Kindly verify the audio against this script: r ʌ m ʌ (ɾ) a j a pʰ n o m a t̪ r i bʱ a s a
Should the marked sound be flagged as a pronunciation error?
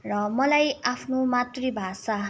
yes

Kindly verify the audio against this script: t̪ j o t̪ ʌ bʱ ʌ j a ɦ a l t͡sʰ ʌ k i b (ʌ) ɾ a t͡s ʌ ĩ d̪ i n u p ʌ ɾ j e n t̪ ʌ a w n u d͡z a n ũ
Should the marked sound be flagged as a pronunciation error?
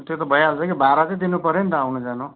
yes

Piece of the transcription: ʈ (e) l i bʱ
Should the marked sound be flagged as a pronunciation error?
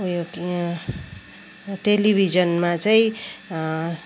no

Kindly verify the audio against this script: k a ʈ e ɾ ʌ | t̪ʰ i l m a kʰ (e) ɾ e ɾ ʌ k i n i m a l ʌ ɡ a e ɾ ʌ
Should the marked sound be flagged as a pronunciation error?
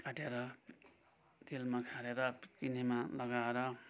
yes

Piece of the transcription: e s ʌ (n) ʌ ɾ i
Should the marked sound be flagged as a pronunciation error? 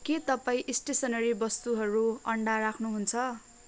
no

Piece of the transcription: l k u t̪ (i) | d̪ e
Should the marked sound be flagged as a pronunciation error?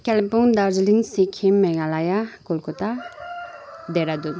yes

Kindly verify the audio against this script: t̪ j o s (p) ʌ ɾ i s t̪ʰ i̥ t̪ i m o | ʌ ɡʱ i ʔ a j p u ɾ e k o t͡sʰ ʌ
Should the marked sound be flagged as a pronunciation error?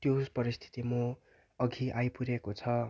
no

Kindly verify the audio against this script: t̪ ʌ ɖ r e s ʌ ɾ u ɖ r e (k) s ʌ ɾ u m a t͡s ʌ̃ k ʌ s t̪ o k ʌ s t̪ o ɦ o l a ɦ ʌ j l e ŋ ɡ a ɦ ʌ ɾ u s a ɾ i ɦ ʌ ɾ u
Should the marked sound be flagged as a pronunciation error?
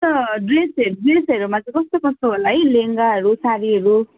yes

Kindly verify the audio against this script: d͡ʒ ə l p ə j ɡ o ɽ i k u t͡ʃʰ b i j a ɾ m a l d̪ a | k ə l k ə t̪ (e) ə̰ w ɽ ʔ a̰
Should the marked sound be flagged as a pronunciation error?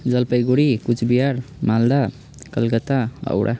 yes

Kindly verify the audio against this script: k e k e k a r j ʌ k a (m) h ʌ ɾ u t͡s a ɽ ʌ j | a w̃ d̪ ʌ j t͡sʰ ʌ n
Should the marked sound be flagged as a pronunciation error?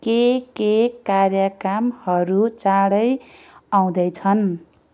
no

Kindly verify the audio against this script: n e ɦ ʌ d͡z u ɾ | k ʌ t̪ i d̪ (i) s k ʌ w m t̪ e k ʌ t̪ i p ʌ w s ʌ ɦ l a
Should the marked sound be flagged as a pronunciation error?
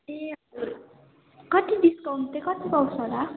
no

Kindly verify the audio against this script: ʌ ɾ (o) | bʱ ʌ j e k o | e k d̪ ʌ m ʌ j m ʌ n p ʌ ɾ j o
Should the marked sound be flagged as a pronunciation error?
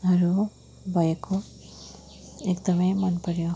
yes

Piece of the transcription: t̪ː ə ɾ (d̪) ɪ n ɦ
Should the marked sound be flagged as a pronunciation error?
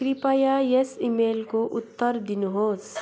no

